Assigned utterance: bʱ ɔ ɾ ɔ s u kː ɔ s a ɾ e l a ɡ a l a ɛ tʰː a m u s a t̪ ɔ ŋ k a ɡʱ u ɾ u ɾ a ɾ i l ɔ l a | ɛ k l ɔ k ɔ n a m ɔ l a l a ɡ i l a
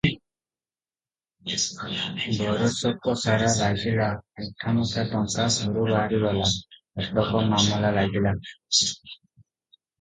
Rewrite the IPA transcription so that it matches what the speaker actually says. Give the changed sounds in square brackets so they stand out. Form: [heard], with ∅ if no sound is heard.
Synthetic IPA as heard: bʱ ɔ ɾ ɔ s [ɔ] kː ɔ s a ɾ [a] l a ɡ [i] l a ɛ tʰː a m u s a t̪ ɔ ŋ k a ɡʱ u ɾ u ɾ a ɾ i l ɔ l a | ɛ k l ɔ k ɔ [m] a m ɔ l a l a ɡ i l a